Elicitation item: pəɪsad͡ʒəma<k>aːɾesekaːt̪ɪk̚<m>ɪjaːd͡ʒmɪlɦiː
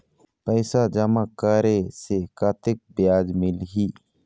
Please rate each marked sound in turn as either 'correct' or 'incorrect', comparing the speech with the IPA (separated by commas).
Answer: correct, incorrect